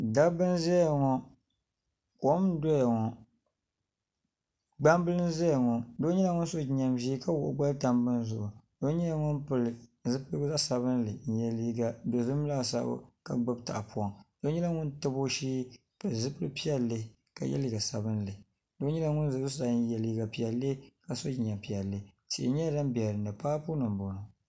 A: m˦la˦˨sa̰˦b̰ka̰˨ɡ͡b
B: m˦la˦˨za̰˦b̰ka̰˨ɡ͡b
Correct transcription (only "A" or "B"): A